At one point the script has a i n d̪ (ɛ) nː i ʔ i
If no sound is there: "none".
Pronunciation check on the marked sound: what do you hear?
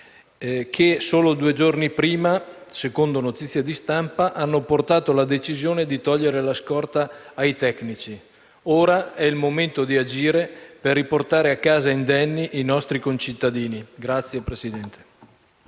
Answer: ɛ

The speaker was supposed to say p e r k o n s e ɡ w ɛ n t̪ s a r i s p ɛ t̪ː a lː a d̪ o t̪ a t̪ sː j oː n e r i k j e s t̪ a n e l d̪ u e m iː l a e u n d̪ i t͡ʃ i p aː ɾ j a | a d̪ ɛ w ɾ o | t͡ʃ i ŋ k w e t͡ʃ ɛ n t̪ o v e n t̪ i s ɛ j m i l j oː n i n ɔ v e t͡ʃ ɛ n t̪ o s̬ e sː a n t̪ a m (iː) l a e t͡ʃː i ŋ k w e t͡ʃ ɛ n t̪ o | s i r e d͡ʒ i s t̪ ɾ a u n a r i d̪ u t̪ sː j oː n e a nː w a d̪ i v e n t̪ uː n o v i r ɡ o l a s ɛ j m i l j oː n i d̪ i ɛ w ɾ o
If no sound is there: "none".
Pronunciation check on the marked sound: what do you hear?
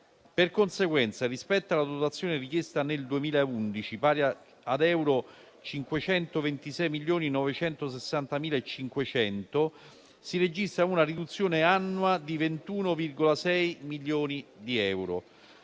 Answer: iː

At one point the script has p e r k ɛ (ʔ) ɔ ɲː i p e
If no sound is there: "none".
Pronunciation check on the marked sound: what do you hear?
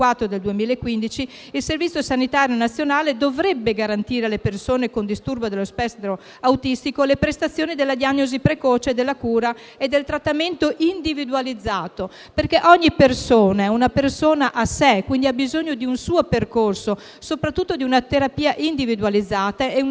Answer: ʔ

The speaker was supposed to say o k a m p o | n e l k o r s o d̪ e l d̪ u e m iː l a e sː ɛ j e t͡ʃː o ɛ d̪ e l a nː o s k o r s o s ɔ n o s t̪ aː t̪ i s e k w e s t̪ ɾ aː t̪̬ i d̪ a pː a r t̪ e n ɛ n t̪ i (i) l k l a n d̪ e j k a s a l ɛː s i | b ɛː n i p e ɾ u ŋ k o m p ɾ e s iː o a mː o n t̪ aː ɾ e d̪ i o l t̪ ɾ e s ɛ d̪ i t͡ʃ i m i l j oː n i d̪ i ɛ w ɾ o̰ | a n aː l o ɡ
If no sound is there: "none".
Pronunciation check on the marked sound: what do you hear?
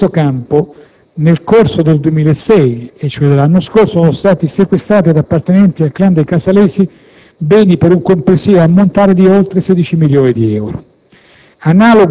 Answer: a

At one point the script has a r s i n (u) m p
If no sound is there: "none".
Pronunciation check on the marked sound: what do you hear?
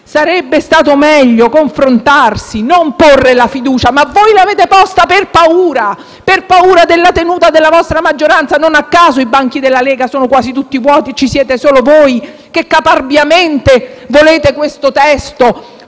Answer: o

